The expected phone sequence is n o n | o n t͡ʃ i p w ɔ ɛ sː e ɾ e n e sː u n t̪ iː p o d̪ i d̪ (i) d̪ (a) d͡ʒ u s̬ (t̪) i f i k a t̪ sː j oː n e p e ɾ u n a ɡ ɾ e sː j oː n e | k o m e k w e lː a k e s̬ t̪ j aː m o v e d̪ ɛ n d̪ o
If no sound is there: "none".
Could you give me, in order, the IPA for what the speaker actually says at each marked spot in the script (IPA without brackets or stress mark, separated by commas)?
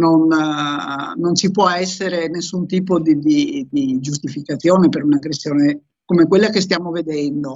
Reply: i, i, t̪